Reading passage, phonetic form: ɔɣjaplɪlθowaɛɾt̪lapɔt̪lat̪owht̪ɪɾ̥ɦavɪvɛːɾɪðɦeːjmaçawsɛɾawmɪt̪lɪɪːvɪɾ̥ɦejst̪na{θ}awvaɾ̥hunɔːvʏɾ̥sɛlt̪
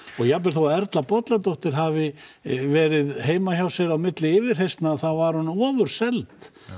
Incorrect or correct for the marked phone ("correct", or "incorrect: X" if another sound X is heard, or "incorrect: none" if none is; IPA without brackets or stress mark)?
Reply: correct